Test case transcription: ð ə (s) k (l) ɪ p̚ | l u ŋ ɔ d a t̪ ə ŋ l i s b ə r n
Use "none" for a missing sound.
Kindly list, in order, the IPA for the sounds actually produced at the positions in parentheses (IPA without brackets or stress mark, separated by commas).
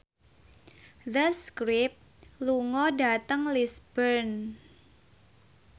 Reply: s, ɾ